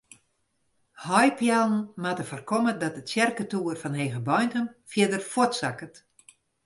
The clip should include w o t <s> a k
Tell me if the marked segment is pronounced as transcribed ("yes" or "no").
yes